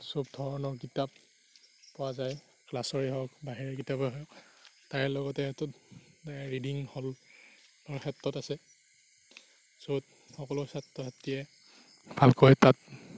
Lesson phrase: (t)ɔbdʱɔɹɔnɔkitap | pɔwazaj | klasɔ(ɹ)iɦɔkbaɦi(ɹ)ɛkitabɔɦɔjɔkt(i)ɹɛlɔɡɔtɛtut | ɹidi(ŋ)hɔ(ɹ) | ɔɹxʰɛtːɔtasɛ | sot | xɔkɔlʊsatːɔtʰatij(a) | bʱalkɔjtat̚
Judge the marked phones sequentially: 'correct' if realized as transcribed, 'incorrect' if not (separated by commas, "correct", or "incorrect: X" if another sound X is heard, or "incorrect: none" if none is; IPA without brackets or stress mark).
incorrect: s, correct, correct, incorrect: a, correct, incorrect: l, incorrect: ɛ